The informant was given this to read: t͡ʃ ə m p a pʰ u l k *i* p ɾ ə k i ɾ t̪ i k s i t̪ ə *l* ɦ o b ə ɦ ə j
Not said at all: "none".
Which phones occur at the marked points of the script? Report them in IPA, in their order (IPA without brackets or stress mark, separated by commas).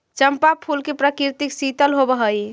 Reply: e, l